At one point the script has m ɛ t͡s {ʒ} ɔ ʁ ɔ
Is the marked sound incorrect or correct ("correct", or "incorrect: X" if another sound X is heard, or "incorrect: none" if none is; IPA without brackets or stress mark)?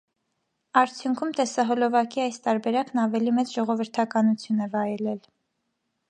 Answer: correct